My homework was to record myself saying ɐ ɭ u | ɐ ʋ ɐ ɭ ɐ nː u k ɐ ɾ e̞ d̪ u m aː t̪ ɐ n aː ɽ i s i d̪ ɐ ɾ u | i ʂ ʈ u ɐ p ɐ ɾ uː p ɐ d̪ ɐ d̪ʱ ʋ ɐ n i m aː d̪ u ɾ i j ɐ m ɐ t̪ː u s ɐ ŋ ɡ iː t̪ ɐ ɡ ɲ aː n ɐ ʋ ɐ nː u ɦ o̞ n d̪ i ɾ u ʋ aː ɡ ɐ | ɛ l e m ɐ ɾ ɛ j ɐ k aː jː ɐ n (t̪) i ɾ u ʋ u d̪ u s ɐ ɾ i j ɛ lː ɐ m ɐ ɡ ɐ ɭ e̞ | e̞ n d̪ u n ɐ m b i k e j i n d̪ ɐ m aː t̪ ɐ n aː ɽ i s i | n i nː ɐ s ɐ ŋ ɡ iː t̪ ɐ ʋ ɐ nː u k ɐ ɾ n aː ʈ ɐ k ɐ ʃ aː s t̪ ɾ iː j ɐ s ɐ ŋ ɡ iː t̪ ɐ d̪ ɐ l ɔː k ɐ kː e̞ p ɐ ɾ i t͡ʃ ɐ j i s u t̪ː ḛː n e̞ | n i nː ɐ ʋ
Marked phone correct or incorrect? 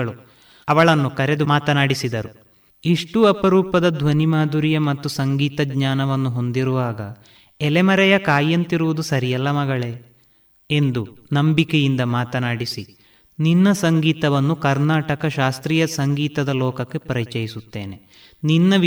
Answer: correct